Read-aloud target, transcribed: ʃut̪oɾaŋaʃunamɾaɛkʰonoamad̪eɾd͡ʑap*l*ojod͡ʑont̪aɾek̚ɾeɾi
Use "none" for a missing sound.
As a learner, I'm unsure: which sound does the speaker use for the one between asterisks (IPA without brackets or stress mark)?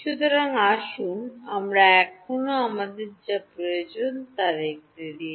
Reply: ɾ